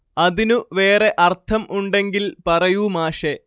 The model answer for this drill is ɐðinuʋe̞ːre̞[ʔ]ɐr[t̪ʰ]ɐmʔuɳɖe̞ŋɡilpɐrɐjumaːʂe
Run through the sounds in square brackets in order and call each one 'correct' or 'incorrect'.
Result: correct, correct

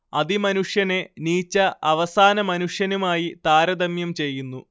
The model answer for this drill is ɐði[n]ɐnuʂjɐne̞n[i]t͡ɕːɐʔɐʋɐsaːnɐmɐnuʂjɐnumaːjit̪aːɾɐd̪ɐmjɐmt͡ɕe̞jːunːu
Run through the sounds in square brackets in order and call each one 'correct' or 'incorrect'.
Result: incorrect, incorrect

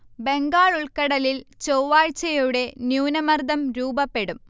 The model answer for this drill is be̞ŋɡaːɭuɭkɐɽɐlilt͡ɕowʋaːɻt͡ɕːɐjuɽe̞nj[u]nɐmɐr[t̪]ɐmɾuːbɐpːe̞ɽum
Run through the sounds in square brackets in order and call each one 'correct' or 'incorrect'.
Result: incorrect, incorrect

